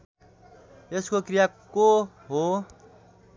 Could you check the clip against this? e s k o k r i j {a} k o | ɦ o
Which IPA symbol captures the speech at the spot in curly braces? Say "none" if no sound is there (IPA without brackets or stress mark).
a